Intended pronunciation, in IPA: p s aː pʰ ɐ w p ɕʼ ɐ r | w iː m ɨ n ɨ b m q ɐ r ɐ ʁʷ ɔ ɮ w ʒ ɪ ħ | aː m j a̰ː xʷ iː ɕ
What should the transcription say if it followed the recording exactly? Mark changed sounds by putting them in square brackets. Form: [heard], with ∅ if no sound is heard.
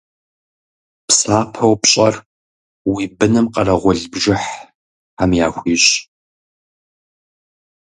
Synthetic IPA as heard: p s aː pʰ ɐ w p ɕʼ ɐ r | w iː [b] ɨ n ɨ [∅] m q ɐ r ɐ ʁʷ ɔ ɮ [b] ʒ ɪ ħ | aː m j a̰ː xʷ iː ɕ